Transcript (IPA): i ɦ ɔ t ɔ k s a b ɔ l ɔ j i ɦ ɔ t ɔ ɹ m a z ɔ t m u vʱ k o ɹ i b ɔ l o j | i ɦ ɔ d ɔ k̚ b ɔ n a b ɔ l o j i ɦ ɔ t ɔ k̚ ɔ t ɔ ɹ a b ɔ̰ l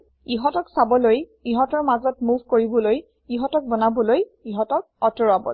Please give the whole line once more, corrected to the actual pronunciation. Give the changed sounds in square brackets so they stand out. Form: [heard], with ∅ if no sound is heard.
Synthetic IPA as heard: i ɦ ɔ t ɔ k s a b ɔ l [o] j i ɦ ɔ t ɔ ɹ m a z ɔ t m u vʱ k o ɹ i b ɔ l o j | i ɦ ɔ [t] ɔ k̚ b ɔ n a b ɔ l o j i ɦ ɔ t ɔ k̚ ɔ t ɔ ɹ a b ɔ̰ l